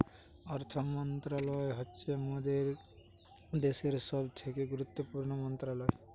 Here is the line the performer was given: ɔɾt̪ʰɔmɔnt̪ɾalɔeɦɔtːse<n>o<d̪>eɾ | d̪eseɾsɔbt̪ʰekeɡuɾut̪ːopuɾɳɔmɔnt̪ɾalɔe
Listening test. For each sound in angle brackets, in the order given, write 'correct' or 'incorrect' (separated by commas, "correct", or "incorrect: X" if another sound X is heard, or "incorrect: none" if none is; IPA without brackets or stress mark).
incorrect: m, correct